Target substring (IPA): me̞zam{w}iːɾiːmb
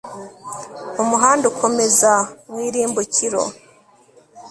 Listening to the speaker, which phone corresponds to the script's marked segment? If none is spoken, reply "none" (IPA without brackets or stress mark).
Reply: w